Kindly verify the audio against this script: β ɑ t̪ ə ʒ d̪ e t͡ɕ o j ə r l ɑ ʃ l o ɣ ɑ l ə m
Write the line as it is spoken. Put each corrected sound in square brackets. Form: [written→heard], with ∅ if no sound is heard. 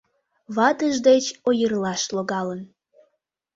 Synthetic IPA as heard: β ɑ t̪ ə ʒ d̪ e t͡ɕ o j ə r l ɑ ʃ l o ɣ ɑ l ə [m→n]